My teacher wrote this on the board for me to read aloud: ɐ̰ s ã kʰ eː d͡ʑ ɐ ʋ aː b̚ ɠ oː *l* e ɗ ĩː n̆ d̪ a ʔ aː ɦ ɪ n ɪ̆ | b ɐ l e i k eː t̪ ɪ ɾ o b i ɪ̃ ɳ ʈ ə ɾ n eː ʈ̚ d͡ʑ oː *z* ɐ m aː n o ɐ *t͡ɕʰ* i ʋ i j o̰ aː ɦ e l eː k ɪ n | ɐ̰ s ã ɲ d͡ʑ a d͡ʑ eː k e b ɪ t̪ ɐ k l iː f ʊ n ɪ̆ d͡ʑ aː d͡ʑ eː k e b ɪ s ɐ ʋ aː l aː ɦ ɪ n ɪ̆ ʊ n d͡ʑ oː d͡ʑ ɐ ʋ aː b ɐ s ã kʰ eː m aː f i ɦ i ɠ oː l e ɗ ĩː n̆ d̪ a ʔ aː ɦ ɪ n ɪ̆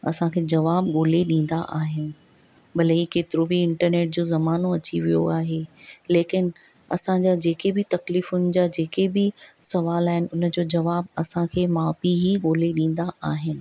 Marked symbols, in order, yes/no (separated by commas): yes, yes, no